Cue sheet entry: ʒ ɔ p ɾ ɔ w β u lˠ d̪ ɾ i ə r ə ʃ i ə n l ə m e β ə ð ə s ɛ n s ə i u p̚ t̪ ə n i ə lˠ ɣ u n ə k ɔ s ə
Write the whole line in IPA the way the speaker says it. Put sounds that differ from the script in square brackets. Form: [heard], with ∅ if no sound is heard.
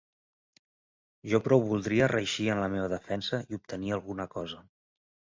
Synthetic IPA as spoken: ʒ ɔ p ɾ ɔ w β u lˠ d̪ ɾ i ə r ə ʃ i ə n l ə m e β ə ð ə [f] ɛ n s ə i u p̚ t̪ ə n i ə lˠ ɣ u n ə k ɔ [z] ə